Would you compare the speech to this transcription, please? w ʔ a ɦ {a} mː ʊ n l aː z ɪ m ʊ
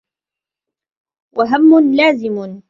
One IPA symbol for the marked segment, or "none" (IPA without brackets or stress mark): a